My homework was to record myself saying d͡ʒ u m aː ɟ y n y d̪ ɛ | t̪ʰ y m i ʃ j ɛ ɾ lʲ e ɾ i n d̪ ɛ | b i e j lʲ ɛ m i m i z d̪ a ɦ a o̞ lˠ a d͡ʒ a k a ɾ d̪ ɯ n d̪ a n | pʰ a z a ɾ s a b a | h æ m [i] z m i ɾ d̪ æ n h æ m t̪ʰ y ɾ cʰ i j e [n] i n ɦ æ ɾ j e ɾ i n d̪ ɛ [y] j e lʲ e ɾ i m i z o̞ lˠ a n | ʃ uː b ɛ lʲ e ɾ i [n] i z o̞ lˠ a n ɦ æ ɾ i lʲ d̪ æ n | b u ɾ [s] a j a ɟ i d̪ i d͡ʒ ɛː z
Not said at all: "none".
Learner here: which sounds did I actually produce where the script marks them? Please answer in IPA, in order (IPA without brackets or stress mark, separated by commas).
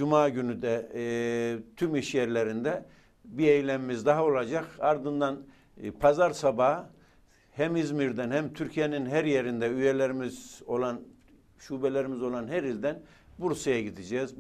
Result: i, n, y, m, s